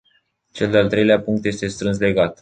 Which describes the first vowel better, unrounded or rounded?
unrounded